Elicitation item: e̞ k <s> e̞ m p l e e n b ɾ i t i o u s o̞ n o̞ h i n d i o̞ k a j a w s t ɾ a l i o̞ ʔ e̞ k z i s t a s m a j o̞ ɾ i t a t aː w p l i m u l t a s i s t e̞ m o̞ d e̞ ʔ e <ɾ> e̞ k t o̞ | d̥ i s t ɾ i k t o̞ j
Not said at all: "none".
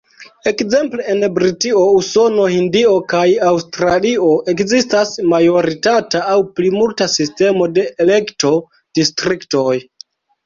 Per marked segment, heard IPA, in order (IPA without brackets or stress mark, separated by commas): z, l